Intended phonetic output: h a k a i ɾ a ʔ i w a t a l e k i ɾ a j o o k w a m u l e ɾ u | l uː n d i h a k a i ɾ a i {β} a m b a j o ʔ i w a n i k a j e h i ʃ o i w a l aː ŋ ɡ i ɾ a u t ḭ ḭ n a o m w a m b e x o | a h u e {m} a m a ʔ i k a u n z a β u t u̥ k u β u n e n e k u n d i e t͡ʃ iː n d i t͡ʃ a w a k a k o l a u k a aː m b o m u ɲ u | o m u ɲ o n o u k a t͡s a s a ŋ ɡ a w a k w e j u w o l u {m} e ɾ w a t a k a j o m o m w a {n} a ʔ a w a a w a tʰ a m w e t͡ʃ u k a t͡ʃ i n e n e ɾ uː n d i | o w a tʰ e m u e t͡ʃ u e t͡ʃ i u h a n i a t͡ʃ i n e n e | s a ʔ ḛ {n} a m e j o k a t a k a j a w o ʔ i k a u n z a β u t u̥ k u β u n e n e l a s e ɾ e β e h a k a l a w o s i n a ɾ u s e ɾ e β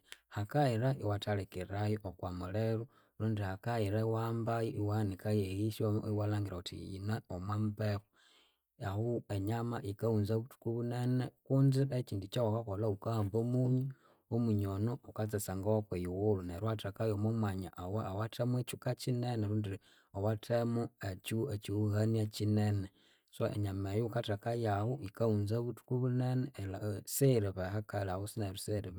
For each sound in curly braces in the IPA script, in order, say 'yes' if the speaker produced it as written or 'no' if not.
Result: no, no, no, no, no

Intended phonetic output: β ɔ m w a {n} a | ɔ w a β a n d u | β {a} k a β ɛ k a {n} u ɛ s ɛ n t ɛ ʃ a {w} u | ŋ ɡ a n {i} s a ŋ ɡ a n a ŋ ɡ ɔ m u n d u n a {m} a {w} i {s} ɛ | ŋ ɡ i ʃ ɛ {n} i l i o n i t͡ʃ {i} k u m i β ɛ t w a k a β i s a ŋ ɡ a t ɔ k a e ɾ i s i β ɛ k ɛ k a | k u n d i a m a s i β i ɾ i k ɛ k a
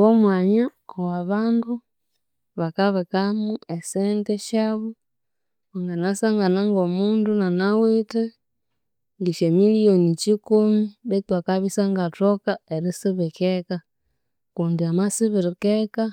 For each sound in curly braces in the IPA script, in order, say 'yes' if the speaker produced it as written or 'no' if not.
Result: no, yes, no, no, no, no, yes, no, no, yes

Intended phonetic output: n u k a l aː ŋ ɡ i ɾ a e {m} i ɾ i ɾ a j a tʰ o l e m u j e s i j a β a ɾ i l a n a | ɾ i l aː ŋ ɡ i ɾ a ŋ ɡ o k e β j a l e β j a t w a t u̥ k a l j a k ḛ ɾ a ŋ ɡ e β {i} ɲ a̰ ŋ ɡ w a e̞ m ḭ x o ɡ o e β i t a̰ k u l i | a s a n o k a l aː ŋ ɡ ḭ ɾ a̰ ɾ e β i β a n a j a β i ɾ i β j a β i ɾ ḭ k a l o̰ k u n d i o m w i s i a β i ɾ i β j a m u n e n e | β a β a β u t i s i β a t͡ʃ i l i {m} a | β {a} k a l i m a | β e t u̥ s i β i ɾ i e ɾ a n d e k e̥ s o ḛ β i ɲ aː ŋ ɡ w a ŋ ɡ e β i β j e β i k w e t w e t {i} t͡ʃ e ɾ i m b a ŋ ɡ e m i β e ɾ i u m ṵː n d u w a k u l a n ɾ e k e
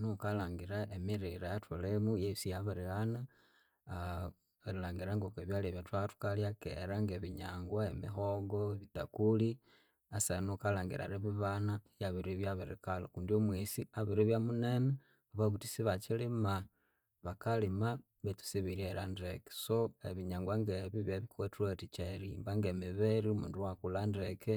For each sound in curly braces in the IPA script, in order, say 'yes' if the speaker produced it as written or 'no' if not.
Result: yes, yes, yes, yes, yes

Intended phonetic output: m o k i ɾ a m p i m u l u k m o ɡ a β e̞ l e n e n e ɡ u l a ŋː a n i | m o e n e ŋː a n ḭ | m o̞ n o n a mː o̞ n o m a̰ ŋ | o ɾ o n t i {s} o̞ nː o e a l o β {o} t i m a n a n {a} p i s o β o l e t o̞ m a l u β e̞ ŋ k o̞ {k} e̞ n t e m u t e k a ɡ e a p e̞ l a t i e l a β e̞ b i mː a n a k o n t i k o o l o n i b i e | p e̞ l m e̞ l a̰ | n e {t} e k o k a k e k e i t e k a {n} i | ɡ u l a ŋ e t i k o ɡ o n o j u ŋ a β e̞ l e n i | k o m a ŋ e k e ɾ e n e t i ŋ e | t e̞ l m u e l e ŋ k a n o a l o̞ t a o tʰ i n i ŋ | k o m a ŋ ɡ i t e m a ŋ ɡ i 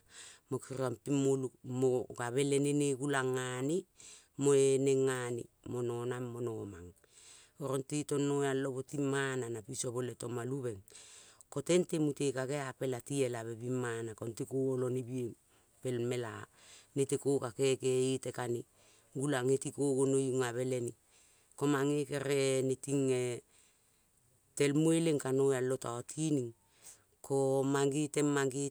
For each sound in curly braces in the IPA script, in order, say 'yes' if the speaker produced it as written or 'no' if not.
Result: no, yes, yes, no, yes, yes

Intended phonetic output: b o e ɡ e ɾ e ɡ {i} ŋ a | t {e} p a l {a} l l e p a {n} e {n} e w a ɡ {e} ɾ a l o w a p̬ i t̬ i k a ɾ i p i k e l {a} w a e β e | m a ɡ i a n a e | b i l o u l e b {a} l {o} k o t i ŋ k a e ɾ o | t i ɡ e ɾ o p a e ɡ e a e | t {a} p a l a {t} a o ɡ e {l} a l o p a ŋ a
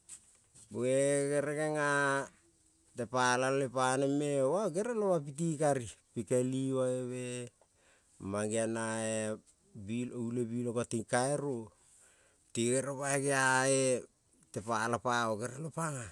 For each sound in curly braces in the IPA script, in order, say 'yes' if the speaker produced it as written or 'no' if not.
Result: no, yes, yes, yes, no, yes, no, no, yes, no, no, no

